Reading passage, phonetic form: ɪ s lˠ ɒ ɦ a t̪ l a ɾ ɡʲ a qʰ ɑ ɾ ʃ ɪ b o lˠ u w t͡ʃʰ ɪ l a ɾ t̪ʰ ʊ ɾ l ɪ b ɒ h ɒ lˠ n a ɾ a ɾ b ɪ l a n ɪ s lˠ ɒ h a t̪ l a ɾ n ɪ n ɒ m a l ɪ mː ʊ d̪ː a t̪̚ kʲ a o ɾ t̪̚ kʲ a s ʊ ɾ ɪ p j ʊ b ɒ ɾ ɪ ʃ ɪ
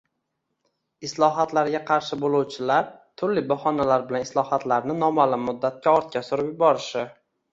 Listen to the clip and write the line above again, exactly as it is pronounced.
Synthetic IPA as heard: ɪ s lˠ ɒ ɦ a t̪ l a ɾ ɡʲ a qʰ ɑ ɾ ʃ ɪ b o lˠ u w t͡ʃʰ ɪ l a ɾ t̪ʰ ʊ ɾ l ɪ b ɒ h ɒ n a l a ɾ b ɪ l a n ɪ s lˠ ɒ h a t̪ l a ɾ n ɪ n ɒ m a l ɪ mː ʊ d̪ː a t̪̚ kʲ a ɒ ɾ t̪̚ kʲ a s ʊ ɾ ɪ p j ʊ b ɒ ɾ ɪ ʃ ɪ